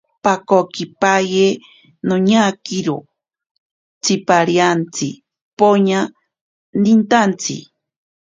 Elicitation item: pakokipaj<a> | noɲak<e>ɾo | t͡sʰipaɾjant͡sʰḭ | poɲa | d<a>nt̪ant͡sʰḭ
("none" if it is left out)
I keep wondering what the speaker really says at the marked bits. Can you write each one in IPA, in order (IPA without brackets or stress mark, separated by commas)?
e, i, i